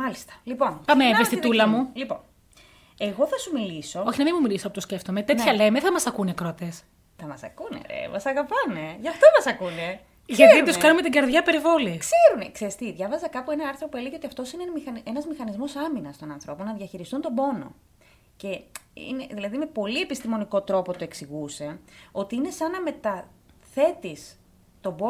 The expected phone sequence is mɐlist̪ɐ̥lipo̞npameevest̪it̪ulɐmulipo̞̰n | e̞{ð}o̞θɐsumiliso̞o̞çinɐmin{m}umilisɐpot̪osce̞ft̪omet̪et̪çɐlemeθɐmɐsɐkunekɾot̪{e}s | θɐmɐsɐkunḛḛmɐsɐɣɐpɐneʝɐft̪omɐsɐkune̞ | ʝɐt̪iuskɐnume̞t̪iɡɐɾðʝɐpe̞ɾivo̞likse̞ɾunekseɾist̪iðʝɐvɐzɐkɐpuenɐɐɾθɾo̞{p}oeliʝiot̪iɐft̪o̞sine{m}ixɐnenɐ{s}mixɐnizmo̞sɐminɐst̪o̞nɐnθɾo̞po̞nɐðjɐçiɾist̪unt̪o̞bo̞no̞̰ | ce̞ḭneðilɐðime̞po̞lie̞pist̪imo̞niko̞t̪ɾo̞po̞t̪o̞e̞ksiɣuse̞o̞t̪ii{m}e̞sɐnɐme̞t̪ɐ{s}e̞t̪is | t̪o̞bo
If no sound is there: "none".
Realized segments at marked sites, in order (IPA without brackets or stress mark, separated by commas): ɣ, m, e, p, m, z, n, θ